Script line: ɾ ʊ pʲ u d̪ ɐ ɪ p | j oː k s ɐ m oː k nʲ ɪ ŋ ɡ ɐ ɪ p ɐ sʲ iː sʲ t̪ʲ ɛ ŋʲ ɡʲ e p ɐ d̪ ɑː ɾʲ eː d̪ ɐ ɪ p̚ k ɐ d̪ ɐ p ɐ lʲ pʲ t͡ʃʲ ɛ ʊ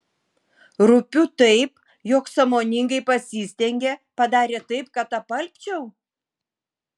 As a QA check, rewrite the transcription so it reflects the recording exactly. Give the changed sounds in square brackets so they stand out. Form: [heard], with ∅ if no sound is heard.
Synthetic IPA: ɾ ʊ pʲ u [t̪] ɐ ɪ p | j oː k s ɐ m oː [∅] nʲ ɪ ŋ ɡ ɐ ɪ p ɐ sʲ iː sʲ t̪ʲ ɛ ŋʲ ɡʲ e p ɐ d̪ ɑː ɾʲ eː [t̪] ɐ ɪ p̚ k ɐ [t̪] ɐ p ɐ lʲ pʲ t͡ʃʲ ɛ ʊ

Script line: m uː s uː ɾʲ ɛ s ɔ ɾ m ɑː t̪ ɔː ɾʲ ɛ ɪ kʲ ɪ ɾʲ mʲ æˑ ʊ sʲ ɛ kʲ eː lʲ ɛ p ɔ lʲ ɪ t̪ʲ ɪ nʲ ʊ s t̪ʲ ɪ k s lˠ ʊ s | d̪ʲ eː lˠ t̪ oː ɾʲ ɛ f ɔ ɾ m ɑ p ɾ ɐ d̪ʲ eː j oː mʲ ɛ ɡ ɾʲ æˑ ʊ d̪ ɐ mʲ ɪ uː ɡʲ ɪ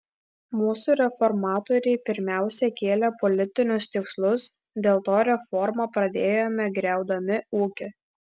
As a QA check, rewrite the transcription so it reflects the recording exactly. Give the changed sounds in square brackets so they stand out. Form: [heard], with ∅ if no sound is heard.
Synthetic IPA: m uː s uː ɾʲ ɛ [f] ɔ ɾ m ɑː t̪ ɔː ɾʲ ɛ ɪ [pʲ] ɪ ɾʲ mʲ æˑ ʊ sʲ ɛ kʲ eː lʲ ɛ p ɔ lʲ ɪ t̪ʲ ɪ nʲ ʊ s t̪ʲ ɪ k s lˠ ʊ s | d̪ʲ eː lˠ t̪ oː ɾʲ ɛ f ɔ ɾ m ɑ p ɾ ɐ d̪ʲ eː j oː mʲ ɛ ɡ ɾʲ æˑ ʊ d̪ ɐ mʲ ɪ uː [kʲ] ɪ

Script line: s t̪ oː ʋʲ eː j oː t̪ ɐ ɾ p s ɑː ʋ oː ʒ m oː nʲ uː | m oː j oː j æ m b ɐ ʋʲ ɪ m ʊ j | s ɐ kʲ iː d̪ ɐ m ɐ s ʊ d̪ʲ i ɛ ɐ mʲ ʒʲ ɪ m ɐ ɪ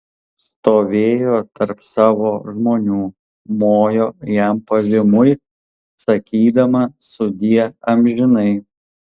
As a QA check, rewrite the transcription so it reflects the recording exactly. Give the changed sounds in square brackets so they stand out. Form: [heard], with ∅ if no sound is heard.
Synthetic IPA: s t̪ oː ʋʲ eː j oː t̪ ɐ ɾ p s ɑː ʋ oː ʒ m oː nʲ uː | m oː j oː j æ m [p] ɐ ʋʲ ɪ m ʊ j | s ɐ kʲ iː d̪ ɐ m ɐ s ʊ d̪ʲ i ɛ ɐ mʲ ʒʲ ɪ [n] ɐ ɪ

